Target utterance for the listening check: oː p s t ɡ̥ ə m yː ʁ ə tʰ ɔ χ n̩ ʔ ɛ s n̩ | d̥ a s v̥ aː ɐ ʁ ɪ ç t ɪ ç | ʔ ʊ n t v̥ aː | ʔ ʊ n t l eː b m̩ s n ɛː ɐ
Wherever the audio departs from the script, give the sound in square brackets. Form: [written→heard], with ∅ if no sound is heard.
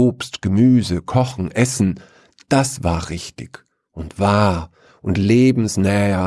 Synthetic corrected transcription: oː p s t ɡ̥ ə m yː [ʁ→z] ə [tʰ→kʰ] ɔ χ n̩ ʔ ɛ s n̩ | d̥ a s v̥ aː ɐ ʁ ɪ ç t ɪ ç | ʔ ʊ n t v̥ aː | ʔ ʊ n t l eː b m̩ s n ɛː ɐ